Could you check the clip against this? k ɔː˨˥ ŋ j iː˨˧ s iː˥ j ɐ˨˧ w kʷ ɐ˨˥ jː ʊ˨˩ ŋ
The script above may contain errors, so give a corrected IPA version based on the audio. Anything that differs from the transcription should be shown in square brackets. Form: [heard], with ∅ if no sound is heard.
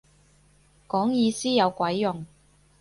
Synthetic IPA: k ɔː˨˥ ŋ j iː˨˧ s iː˥ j ɐ˨˧ w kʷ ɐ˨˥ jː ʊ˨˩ ŋ